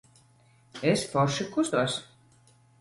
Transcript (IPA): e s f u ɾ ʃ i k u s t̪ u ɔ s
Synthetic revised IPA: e s f ɔ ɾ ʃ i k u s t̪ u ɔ s